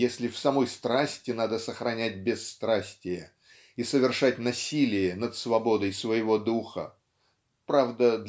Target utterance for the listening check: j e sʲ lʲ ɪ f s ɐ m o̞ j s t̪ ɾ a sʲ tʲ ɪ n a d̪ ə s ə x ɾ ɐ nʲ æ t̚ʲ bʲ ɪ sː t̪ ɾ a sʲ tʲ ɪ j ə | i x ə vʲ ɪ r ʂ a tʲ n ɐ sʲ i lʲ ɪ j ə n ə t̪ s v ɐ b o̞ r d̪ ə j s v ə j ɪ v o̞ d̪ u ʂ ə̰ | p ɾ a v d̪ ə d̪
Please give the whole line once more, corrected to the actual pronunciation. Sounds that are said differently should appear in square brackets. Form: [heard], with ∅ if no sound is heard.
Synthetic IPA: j e sʲ lʲ ɪ f s ɐ m o̞ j s t̪ ɾ a sʲ tʲ ɪ n a d̪ ə s ə x ɾ ɐ nʲ æ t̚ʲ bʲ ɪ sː t̪ ɾ a sʲ tʲ ɪ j ə | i [s] ə vʲ ɪ r ʂ a tʲ n ɐ sʲ i lʲ ɪ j ə n ə t̪ s v ɐ b o̞ [∅] d̪ ə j s v ə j ɪ v o̞ d̪ u [x] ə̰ | p ɾ a v d̪ ə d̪